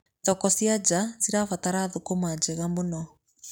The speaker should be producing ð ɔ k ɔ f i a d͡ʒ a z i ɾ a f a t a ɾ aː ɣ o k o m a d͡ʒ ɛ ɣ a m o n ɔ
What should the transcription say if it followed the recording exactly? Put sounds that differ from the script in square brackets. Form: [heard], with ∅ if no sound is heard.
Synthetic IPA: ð ɔ k ɔ [s] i a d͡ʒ a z i ɾ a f a t a ɾ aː [ð] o k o m a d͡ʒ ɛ ɣ a m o n ɔ